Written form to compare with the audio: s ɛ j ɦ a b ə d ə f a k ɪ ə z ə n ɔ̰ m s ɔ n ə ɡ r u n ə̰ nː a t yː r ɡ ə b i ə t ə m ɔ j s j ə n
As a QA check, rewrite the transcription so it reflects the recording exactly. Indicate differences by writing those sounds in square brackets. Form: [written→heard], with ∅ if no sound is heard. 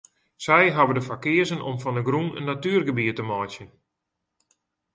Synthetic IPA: s ɛ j ɦ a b ə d ə f a k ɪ ə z ə n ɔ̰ m [s→f] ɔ n ə ɡ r u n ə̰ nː a t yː r ɡ ə b i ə t ə m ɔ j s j ə n